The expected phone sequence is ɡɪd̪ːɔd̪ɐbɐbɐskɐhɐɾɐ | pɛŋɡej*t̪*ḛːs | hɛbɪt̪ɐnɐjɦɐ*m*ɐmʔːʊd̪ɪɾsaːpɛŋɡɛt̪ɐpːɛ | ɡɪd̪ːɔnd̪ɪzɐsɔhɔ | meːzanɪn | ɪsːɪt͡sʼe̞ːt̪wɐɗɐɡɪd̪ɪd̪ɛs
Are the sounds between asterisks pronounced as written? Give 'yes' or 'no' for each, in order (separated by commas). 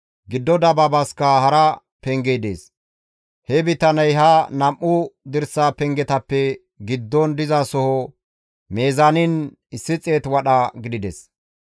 no, no